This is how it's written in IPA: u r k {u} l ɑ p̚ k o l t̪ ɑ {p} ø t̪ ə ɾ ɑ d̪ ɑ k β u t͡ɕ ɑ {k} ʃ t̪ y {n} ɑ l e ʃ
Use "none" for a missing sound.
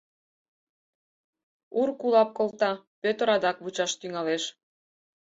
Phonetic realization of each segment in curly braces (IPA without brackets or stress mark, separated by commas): u, p, none, ŋ